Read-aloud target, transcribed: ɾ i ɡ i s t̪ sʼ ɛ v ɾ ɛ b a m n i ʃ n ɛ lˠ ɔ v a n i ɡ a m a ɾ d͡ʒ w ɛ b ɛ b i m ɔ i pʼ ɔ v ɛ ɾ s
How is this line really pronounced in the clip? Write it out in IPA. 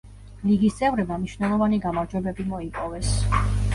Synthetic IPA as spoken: l i ɡ i s t̪ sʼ ɛ v ɾ ɛ b a m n i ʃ n ɛ lˠ ɔ v a n i ɡ a m a ɾ d͡ʒ w ɛ b ɛ b i m ɔ i pʼ ɔ v ɛ s